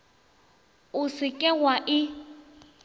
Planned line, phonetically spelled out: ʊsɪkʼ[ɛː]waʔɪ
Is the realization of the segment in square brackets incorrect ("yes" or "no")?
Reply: yes